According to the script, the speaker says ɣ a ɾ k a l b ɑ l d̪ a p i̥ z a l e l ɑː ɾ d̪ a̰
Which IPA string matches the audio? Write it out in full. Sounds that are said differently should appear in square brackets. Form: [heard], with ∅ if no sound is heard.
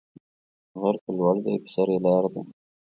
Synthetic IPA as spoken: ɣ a ɾ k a l [w] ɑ l d̪ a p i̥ [s] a [ɾ] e l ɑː ɾ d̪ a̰